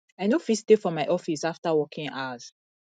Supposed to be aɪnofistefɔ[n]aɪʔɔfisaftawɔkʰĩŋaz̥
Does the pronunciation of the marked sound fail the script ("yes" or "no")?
yes